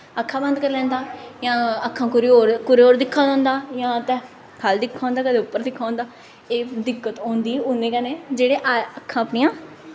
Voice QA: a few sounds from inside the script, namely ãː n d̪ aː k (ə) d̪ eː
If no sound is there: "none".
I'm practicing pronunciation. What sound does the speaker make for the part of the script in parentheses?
ə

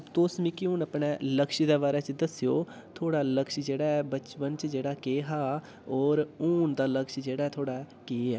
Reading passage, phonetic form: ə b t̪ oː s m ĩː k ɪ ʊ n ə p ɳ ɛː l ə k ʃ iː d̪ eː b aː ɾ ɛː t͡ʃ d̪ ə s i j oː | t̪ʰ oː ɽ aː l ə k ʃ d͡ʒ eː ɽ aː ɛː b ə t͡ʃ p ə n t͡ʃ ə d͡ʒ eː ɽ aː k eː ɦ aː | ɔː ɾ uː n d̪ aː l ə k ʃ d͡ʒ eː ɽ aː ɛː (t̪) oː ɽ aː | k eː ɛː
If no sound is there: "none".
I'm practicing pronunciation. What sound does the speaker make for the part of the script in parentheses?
t̪ʰ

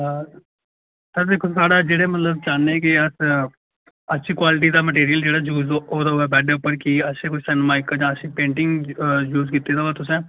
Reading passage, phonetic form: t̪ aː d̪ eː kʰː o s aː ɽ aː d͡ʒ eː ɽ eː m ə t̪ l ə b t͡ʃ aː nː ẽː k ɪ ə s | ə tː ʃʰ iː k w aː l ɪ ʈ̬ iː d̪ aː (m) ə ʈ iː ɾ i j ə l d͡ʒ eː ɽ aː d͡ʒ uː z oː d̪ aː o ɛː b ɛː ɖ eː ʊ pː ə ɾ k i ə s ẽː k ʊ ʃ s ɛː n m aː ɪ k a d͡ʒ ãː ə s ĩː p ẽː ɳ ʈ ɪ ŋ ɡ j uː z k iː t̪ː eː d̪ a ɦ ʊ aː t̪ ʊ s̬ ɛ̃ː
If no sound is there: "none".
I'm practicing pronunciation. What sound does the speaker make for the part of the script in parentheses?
m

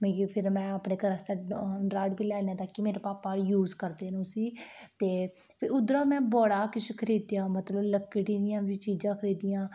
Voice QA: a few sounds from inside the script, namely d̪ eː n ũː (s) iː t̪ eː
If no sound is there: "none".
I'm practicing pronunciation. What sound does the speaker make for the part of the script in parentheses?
s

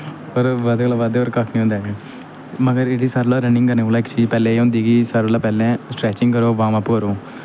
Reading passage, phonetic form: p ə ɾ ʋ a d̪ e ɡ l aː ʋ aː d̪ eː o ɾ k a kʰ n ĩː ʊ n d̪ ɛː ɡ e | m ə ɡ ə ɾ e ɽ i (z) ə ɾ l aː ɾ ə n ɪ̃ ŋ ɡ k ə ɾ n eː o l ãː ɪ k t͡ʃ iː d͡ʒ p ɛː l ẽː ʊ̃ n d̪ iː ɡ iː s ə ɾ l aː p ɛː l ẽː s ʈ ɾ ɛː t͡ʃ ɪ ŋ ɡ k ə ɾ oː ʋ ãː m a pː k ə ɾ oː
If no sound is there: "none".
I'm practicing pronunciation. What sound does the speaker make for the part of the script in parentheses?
s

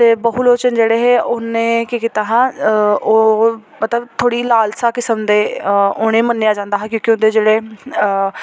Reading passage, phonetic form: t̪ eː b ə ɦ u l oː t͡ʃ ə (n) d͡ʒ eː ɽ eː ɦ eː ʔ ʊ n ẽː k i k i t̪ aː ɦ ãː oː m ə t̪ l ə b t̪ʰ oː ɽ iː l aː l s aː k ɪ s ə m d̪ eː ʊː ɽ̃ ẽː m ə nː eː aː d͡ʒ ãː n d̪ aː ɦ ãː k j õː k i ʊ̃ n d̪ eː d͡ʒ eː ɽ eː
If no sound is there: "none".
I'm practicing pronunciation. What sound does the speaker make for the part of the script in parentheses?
n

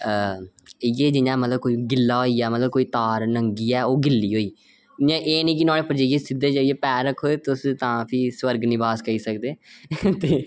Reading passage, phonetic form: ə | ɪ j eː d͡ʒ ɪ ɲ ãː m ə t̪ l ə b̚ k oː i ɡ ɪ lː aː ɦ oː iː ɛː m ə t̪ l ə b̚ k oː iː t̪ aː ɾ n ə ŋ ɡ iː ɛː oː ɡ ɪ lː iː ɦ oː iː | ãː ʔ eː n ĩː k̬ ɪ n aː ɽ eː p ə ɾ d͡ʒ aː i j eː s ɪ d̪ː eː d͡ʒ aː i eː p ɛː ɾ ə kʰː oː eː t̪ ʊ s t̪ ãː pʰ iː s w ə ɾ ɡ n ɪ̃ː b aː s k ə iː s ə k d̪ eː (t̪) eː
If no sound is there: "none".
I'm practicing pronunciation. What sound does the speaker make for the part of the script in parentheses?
t̪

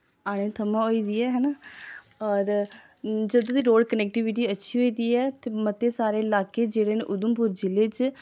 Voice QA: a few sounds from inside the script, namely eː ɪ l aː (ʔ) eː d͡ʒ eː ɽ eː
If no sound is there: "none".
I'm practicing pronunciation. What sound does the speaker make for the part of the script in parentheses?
k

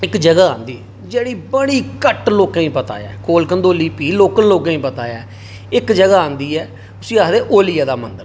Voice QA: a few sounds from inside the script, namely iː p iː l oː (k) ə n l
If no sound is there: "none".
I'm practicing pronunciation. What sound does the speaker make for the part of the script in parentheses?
k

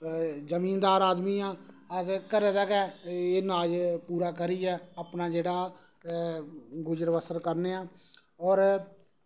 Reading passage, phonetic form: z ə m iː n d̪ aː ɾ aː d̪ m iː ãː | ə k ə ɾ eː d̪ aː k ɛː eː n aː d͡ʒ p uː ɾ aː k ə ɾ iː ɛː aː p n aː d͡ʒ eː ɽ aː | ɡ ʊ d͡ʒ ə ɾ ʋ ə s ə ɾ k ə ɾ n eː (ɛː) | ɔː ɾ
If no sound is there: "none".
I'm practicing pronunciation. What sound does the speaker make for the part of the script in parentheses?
aː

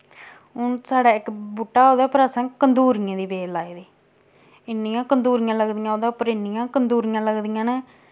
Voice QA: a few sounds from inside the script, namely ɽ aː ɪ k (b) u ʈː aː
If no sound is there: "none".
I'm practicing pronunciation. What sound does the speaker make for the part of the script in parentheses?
b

